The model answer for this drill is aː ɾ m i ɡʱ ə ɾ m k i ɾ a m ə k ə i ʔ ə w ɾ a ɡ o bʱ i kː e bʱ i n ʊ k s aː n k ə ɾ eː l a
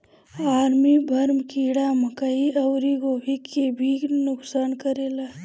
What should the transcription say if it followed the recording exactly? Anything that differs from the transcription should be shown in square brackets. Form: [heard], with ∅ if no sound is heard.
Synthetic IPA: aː ɾ m i [bʱ] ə ɾ m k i [ɽ] a m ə k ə i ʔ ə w ɾ [i] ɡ o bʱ i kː e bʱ i n ʊ k s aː n k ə ɾ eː l a